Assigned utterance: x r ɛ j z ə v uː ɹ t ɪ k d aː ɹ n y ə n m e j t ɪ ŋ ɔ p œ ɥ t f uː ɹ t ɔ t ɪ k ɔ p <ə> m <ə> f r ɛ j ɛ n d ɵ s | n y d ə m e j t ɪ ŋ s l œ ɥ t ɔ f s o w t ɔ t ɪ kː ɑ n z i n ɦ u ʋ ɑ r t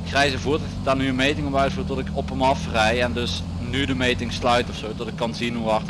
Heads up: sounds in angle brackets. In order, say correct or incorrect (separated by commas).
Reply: correct, incorrect